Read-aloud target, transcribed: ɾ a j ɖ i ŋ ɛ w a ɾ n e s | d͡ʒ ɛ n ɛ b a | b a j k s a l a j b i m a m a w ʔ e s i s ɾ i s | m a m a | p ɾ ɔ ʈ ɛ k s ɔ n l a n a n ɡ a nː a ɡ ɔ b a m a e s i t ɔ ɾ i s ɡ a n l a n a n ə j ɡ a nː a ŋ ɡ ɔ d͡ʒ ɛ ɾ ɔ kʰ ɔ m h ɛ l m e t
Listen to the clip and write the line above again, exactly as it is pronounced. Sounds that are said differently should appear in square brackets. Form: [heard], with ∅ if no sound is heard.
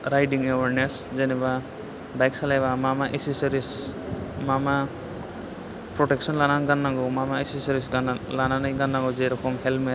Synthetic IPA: ɾ a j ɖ i ŋ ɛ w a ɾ n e s | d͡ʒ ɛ n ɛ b a | b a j k s a l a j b [a] m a m a [∅] ʔ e s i s ɾ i s | m a m a | p ɾ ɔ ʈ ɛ k s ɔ n l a n a n ɡ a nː a ɡ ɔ [m] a m a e s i [s] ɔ ɾ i s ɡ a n l a n a n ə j ɡ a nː a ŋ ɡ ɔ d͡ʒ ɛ ɾ ɔ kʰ ɔ m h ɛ l m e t